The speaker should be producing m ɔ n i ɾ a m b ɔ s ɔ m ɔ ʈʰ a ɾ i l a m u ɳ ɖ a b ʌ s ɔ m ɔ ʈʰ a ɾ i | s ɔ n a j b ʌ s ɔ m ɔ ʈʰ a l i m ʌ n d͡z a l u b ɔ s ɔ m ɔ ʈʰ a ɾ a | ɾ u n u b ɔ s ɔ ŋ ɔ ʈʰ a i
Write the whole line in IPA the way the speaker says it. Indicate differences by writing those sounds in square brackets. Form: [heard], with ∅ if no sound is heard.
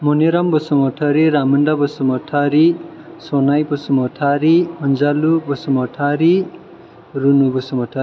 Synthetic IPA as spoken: m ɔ n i ɾ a m b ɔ s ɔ m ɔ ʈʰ a ɾ i [ɾ] a m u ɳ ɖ a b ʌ s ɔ m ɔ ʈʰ a ɾ i | s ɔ n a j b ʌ s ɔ m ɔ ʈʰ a [ɾ] i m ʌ n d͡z a l u b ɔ s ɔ m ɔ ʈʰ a ɾ [i] | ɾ u n u b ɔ s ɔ [m] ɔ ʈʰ a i